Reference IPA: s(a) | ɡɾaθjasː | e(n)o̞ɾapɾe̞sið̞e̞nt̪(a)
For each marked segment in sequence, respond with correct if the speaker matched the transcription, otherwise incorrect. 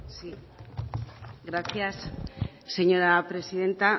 incorrect, incorrect, correct

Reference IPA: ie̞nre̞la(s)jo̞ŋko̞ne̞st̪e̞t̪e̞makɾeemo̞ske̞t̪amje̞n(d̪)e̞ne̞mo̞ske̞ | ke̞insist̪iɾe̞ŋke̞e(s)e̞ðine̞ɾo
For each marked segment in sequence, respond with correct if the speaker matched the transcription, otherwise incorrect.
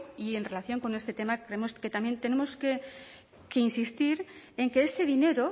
incorrect, incorrect, correct

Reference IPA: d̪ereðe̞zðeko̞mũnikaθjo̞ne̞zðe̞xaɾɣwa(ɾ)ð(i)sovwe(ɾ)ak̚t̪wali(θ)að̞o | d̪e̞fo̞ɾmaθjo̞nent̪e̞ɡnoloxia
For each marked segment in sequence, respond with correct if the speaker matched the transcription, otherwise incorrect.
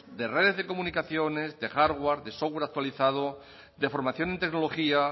correct, incorrect, correct, correct

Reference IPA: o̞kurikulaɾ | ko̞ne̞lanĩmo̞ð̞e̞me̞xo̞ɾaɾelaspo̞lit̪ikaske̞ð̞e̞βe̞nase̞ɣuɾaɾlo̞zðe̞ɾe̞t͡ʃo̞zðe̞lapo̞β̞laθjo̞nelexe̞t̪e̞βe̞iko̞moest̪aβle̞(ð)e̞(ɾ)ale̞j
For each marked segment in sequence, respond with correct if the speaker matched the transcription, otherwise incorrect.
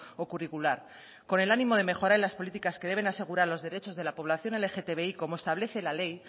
incorrect, incorrect

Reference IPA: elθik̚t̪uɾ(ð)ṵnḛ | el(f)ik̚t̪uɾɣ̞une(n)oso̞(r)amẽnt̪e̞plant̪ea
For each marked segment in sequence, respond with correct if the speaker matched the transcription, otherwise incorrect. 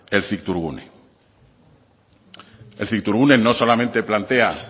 incorrect, incorrect, correct, incorrect

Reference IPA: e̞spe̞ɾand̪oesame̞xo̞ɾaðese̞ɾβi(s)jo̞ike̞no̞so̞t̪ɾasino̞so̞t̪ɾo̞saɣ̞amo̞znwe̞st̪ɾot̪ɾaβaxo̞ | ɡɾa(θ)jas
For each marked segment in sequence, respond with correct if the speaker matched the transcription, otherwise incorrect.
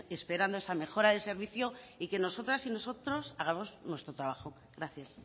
incorrect, correct

